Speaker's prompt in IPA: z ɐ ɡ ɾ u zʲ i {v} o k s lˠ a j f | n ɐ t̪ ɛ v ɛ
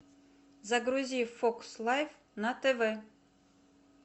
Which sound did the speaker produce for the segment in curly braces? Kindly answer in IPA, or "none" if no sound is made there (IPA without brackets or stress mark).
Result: f